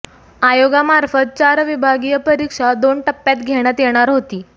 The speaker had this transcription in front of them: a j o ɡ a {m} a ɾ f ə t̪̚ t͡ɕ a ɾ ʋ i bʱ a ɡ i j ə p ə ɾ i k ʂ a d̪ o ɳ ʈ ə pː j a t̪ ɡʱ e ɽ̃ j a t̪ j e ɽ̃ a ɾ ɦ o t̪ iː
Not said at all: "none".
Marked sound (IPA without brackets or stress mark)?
m